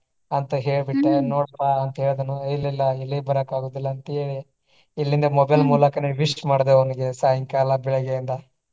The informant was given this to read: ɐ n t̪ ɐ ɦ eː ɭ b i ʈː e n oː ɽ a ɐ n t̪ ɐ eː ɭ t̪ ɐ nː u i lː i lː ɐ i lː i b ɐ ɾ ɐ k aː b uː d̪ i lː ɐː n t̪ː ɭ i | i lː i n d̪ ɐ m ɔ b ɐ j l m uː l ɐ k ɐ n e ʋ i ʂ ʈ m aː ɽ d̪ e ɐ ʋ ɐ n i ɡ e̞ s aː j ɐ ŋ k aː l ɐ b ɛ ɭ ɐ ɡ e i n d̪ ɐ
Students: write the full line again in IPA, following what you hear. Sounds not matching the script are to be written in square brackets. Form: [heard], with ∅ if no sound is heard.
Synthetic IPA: ɐ n t̪ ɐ ɦ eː ɭ b i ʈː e n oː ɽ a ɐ n t̪ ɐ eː ɭ [d̪] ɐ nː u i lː i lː ɐ i lː i b ɐ ɾ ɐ k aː [ɡ] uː d̪ i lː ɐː n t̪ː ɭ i | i lː i n d̪ ɐ m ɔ b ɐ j l m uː l ɐ k ɐ n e ʋ i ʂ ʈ m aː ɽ d̪ e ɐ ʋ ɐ n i ɡ e̞ s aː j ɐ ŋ k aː l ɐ b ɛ ɭ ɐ ɡ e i n d̪ ɐ